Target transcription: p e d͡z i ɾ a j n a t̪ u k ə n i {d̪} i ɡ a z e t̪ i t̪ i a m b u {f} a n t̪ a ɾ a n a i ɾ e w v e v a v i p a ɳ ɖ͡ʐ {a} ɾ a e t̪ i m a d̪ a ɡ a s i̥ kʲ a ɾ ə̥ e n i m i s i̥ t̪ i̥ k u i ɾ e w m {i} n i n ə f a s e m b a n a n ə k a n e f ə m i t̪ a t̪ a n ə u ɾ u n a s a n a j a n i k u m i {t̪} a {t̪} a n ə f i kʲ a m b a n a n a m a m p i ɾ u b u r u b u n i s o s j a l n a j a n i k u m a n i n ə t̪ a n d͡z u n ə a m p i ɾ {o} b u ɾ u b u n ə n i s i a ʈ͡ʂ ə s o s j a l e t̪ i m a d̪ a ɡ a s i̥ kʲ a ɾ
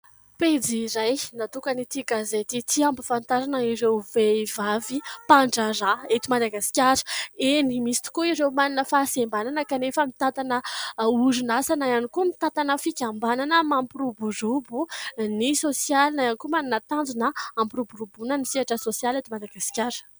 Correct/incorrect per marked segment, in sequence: incorrect: t̪, correct, correct, incorrect: a, correct, correct, incorrect: u

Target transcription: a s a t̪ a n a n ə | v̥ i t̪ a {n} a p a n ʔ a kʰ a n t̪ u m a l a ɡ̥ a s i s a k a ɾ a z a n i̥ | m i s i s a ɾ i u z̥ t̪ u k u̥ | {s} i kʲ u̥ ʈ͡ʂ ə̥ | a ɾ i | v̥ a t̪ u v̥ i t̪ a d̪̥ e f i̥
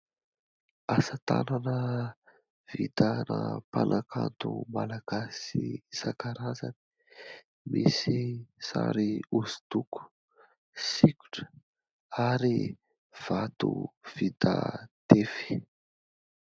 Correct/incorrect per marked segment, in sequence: correct, correct

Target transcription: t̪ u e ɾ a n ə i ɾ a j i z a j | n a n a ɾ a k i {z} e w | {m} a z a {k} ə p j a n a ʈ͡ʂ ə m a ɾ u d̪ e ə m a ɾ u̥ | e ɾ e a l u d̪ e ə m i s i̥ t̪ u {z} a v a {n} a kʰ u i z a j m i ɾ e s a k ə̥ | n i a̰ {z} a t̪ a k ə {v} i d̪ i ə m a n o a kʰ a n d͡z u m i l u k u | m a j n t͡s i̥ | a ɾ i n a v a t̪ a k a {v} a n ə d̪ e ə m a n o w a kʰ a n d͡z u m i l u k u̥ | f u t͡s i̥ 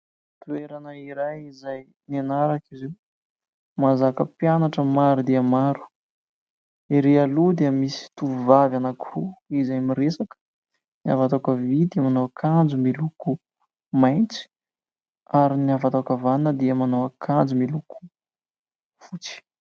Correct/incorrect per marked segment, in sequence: correct, correct, correct, incorrect: v, correct, incorrect: v, correct, correct

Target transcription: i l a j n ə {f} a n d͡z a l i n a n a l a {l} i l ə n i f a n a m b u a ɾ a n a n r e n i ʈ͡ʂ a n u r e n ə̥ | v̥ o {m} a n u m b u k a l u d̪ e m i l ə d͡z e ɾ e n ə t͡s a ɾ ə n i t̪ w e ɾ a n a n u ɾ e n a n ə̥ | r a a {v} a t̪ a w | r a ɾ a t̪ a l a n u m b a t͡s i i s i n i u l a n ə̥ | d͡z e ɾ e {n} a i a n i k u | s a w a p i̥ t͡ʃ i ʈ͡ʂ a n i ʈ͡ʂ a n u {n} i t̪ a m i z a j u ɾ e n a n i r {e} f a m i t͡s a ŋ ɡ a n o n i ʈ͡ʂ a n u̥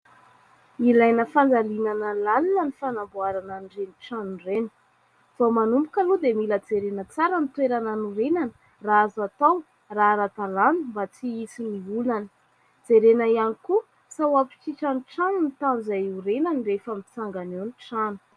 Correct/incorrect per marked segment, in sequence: correct, correct, correct, incorrect: z, correct, correct, correct

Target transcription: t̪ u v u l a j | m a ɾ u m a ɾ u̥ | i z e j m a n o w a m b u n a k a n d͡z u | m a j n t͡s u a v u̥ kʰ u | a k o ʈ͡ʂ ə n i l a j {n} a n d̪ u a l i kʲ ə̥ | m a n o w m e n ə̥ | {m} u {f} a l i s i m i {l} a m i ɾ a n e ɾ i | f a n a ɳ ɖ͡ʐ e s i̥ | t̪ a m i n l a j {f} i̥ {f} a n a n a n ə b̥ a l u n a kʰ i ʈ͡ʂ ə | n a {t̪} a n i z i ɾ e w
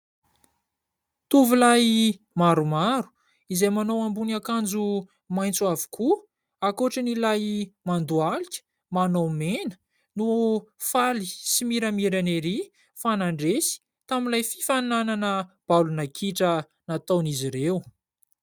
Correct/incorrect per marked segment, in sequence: incorrect: m, incorrect: n, correct, incorrect: ɾ, correct, correct, correct

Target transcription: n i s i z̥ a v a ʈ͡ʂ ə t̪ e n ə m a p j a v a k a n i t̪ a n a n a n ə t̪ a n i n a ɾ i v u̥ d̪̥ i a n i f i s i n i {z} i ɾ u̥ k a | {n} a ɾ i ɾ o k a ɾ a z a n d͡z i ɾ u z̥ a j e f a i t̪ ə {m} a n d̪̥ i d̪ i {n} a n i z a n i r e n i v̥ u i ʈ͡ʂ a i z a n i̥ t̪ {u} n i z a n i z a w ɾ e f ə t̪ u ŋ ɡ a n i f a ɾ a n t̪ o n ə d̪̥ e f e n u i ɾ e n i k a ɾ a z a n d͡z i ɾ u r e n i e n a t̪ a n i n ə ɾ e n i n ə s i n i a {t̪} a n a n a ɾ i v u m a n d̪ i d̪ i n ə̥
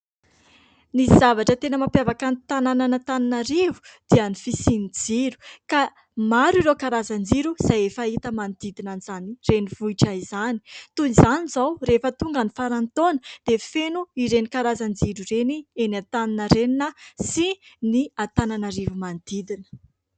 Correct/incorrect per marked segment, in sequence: incorrect: d͡z, incorrect: m, correct, correct, correct, correct

